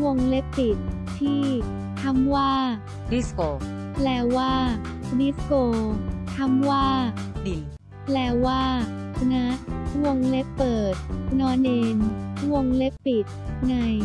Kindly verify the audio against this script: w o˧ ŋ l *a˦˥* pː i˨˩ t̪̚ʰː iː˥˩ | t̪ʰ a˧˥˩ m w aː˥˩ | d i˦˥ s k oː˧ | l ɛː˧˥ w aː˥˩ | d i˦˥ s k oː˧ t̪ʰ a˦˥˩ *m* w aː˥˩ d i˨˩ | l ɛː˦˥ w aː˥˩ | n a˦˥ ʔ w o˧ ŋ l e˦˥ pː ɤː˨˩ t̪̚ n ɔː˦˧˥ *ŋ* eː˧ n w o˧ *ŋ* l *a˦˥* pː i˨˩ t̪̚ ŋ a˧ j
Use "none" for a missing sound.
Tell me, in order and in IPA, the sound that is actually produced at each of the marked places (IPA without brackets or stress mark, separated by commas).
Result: e˦˥, m, n, ŋ, e˦˥